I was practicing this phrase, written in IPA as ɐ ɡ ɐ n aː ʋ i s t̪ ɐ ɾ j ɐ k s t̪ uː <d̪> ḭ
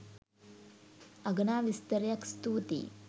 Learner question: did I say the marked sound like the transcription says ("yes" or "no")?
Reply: no